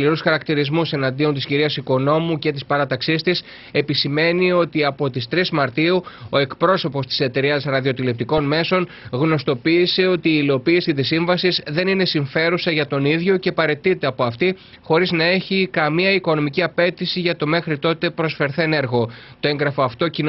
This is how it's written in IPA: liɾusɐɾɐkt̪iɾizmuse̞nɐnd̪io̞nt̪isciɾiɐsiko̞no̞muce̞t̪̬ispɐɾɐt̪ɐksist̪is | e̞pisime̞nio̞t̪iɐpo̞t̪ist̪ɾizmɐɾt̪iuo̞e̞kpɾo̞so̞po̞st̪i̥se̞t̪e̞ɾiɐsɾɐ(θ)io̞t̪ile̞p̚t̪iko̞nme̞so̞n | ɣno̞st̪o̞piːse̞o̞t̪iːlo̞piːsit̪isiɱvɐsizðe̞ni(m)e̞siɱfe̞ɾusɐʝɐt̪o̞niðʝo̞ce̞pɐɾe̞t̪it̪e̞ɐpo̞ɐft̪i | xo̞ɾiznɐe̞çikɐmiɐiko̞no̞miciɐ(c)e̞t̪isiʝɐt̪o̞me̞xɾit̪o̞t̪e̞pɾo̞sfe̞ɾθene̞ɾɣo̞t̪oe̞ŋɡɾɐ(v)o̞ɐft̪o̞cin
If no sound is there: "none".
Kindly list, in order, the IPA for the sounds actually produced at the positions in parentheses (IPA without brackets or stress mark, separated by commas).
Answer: ð, n, p, f